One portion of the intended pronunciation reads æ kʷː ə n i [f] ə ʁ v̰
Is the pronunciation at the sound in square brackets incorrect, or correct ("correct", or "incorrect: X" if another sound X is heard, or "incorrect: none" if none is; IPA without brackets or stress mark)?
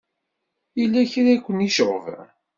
incorrect: ʃ